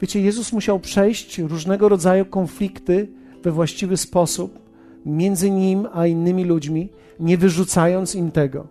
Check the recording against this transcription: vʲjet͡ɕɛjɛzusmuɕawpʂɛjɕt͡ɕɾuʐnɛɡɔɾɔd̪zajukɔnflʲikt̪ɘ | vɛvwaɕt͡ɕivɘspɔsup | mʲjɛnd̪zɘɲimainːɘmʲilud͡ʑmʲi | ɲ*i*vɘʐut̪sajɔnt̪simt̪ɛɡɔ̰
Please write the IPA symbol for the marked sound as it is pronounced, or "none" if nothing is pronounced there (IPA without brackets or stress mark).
ɛ